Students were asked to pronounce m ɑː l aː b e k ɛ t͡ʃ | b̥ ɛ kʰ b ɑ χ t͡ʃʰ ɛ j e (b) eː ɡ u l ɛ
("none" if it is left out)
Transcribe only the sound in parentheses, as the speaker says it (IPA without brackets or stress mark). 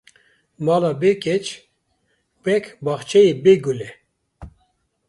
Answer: b